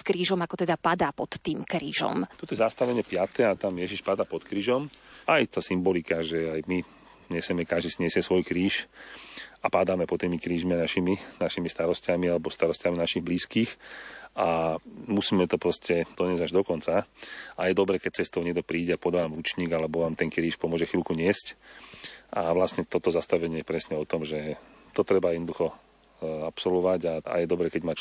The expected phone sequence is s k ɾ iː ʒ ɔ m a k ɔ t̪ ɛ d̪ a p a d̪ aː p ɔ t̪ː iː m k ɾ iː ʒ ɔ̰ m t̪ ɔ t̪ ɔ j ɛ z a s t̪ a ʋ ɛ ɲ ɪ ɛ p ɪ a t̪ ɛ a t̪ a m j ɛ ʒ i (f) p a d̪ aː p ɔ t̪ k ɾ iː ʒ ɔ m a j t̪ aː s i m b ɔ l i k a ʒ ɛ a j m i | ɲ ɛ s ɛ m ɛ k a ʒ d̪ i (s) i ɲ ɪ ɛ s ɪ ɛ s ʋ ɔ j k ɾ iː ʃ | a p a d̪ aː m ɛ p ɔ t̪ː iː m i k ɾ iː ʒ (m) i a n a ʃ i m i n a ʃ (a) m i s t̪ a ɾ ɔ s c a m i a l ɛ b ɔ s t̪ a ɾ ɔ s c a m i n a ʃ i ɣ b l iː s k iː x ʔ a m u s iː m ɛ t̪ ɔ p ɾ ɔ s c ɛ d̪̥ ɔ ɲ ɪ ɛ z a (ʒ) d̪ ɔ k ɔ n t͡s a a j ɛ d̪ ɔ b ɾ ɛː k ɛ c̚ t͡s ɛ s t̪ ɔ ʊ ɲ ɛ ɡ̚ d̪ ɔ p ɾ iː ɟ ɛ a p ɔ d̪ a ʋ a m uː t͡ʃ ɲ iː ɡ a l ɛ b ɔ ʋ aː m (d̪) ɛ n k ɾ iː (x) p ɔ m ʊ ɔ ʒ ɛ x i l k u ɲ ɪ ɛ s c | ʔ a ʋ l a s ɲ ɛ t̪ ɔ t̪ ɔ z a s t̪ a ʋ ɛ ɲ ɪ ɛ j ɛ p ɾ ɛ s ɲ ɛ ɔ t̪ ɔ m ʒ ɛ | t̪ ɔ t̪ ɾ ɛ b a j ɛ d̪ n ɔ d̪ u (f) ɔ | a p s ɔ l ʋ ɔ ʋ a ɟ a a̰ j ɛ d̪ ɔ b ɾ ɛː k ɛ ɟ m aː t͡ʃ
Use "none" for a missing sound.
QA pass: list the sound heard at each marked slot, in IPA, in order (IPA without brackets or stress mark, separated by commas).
ʃ, s, m, i, ʒ, t̪, ʃ, x